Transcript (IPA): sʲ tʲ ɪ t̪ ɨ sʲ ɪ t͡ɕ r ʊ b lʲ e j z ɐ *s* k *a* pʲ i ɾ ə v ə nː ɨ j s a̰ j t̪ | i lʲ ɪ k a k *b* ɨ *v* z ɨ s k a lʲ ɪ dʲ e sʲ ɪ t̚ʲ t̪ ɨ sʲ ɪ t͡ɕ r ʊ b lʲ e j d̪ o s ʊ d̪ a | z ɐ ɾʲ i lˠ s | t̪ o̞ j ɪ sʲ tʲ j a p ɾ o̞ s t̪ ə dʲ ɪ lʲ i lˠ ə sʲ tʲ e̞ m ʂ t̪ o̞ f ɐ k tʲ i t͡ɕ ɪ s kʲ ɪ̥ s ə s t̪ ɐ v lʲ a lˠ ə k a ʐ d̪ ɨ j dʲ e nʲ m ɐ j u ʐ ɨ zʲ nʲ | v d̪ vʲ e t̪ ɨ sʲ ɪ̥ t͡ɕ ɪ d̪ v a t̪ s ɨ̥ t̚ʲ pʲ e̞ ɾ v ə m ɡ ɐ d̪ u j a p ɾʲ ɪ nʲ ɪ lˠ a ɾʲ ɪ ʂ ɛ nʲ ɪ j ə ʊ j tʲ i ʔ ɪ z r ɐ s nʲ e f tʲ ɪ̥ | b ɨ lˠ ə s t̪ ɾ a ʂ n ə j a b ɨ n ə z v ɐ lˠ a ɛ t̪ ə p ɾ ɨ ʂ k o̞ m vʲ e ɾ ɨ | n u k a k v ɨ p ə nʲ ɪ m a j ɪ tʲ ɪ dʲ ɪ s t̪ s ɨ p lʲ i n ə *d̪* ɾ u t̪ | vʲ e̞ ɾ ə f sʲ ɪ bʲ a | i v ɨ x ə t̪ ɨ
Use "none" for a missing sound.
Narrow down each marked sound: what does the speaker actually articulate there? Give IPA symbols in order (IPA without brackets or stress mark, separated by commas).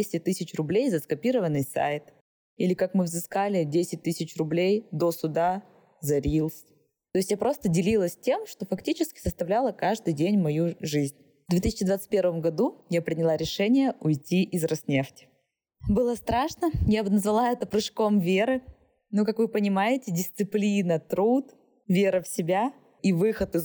s, ɐ, m, v, t̪